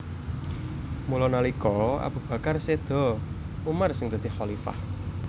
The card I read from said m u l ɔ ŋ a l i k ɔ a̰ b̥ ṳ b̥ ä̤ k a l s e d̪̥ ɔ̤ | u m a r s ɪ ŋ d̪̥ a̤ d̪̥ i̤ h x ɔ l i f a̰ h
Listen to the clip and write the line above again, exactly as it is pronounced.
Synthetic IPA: m u l ɔ n a l i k ɔ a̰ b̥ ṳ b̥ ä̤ k a r s e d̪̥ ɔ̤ | u m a r s ɪ ŋ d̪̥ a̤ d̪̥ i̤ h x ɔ l i f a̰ h

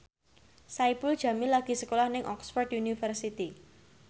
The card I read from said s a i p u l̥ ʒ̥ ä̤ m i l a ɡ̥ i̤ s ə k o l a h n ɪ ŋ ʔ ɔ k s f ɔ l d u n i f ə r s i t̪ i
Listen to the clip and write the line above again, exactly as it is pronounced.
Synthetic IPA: s a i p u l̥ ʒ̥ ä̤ m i l a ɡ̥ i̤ s ə k o l a h n ɪ ŋ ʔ ɔ k s f ɔ r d u n i f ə r s i t̪ i

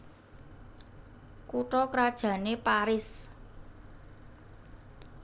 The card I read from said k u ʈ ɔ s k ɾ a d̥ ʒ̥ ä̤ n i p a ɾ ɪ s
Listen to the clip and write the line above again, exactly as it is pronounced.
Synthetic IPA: k u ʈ ɔ k ɾ a d̥ ʒ̥ ä̤ n e p a ɾ ɪ s

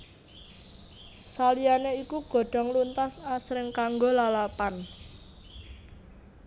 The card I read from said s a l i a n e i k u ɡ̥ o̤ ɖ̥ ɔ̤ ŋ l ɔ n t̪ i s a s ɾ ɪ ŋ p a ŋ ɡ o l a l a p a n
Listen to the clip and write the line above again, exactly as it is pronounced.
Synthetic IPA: s a l i a n e i k u ɡ̥ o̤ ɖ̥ ɔ̤ ŋ l u n t̪ a s a s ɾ ɪ ŋ k a ŋ ɡ o l a l a p a n

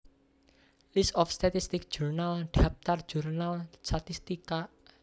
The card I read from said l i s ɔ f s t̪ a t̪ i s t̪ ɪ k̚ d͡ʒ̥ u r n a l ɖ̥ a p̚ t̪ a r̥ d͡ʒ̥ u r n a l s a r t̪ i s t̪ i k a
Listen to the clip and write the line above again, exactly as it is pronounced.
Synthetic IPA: l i s ɔ f s t̪ a t̪ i s t̪ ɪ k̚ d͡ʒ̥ u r n a l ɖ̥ a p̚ t̪ a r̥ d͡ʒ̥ u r n a l s a t̪ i s t̪ i k a

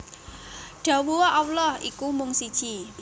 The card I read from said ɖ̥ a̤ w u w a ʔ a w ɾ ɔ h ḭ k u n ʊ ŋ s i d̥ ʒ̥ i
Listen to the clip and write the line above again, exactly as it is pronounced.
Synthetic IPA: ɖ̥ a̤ w u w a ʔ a w l ɔ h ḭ k u m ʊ ŋ s i d̥ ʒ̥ i

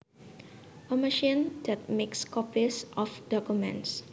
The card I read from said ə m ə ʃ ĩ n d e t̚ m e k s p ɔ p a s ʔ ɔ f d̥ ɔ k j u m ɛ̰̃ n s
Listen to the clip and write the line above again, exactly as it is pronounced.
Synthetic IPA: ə m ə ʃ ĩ n d ɛ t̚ m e k s k ɔ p i s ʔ ɔ f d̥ ɔ k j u m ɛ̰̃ n s

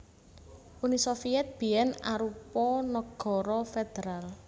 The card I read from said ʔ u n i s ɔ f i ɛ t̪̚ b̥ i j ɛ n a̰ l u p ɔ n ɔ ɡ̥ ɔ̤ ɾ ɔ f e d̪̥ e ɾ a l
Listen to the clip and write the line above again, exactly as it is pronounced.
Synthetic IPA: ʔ u n i s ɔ f i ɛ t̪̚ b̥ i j ɛ n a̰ ɾ u p ɔ n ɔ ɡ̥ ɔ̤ ɾ ɔ f e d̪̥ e ɾ a l

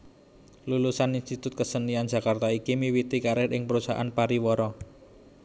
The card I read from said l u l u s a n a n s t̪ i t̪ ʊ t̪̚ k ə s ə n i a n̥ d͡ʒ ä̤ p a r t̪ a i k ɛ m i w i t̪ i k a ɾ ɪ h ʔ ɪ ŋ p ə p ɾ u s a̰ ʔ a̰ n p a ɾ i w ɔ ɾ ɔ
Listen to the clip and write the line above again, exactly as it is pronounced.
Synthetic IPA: l u l u s a n i n s t̪ i t̪ ʊ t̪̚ k ə s ə n i a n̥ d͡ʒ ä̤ k a r t̪ a i k i m i w i t̪ i k a ɾ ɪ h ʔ ɪ ŋ p ə ɾ u s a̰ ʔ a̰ n p a ɾ i w ɔ ɾ ɔ

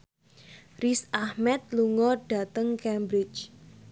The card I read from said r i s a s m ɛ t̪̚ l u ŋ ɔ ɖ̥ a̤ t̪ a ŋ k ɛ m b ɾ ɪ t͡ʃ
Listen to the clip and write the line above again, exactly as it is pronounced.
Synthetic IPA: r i s a h m ɛ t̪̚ l u ŋ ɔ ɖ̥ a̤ t̪ ə ŋ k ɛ m b ɾ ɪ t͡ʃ

